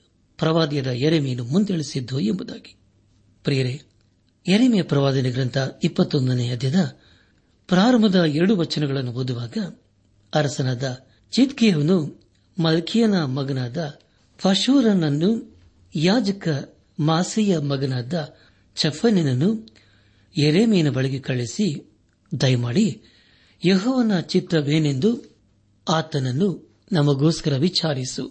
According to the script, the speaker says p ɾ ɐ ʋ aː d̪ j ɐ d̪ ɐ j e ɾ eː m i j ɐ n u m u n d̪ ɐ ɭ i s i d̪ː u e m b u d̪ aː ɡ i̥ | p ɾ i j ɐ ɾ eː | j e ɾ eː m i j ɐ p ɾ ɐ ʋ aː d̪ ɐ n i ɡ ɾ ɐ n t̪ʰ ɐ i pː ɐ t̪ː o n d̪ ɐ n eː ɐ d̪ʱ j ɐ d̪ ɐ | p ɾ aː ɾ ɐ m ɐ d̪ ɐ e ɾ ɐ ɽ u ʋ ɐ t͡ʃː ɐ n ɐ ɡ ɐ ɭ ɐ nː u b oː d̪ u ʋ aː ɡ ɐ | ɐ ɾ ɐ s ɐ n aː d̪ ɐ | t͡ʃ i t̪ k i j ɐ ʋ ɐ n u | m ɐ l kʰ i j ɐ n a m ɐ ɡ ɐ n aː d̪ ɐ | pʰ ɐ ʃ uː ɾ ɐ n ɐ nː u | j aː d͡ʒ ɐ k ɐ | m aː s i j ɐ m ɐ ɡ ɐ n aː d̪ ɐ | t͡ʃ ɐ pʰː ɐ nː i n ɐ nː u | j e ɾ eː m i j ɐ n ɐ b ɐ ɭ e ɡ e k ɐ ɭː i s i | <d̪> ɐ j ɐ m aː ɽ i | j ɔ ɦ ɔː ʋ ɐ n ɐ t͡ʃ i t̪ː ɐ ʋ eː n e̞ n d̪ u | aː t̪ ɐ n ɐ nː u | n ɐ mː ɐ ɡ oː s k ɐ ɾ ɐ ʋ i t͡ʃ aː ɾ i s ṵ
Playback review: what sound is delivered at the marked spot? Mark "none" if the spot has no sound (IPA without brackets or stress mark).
d̪